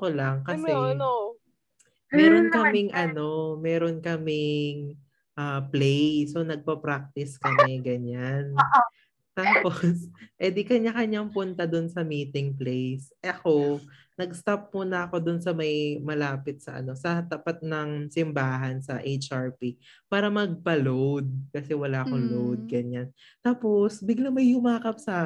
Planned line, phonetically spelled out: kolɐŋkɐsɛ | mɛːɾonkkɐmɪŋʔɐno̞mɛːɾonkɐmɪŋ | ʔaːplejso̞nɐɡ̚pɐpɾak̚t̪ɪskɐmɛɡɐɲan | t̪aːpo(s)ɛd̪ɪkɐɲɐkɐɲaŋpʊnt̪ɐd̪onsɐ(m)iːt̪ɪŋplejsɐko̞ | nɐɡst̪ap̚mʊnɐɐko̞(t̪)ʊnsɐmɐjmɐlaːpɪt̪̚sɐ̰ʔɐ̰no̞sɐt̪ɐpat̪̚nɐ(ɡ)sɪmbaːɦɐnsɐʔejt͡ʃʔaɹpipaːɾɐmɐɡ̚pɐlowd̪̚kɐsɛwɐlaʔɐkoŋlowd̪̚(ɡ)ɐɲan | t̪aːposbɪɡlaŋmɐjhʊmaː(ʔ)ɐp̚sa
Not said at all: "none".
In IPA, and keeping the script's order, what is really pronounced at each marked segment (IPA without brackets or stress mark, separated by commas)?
s, m, d̪, ŋ, ɡ, k